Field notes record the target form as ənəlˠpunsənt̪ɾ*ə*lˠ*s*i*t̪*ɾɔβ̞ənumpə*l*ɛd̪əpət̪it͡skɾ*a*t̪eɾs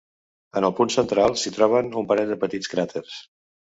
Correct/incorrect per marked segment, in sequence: incorrect: a, correct, correct, incorrect: ɾ, correct

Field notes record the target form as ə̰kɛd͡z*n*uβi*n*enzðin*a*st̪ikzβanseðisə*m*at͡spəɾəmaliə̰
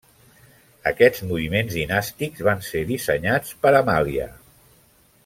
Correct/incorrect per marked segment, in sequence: incorrect: m, incorrect: m, correct, incorrect: ɲ

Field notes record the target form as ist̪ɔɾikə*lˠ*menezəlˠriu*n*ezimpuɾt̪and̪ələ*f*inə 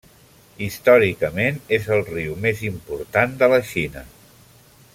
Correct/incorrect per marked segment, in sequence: incorrect: none, incorrect: m, incorrect: ʃ

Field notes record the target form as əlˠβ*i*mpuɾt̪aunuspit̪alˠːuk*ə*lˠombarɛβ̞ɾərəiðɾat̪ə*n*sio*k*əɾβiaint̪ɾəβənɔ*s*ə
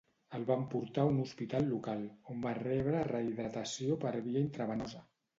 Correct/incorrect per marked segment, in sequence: incorrect: a, incorrect: a, incorrect: none, incorrect: p, incorrect: z

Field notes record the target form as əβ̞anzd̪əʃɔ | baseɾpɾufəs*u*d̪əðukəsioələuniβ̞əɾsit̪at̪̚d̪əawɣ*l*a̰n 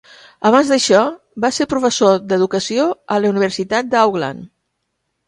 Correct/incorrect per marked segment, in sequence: incorrect: o, correct

